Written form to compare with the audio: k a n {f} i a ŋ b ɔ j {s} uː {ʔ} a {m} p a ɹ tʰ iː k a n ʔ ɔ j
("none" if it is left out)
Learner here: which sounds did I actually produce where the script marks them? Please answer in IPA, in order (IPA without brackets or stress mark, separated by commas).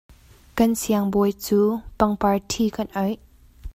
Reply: s, t͡s, p, ŋ